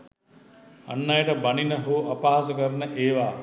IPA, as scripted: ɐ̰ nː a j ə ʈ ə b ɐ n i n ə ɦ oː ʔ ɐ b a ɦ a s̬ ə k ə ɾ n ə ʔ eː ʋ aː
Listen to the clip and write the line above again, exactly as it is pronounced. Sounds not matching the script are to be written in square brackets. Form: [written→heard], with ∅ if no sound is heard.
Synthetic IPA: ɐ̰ nː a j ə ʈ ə b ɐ n i n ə ɦ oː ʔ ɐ [b→p] a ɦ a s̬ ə k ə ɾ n ə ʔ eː ʋ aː